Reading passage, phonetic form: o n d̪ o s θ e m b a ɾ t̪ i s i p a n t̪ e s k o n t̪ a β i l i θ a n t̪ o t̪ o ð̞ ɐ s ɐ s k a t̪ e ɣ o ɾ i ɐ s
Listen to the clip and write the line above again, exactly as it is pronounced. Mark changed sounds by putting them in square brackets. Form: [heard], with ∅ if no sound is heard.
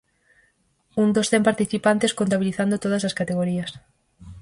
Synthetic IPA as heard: [u] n d̪ o s θ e m [p] a ɾ t̪ i [θ] i p a n t̪ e s k o n t̪ a β i l i θ a n [d̪] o t̪ o ð̞ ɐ s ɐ s k a t̪ e ɣ o ɾ i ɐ s